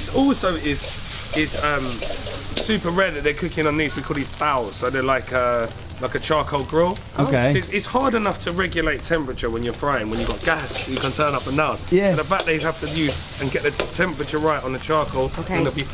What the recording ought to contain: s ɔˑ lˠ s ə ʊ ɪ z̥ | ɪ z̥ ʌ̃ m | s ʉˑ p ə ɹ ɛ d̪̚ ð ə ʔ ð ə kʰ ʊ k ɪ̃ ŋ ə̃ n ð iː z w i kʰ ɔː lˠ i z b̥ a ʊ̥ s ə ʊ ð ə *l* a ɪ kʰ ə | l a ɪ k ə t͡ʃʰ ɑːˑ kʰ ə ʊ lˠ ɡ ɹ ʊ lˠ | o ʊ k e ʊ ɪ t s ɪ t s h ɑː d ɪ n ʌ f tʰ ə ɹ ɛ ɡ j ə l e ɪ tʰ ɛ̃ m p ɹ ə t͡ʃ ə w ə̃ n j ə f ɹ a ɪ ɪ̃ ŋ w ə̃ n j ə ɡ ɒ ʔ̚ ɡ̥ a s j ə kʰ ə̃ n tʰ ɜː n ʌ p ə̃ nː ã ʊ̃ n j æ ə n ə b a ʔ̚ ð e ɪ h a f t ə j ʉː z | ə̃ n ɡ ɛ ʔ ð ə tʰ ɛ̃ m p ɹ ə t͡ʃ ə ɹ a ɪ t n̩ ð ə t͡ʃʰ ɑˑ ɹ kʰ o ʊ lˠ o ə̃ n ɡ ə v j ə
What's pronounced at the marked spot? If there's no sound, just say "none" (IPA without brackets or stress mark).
l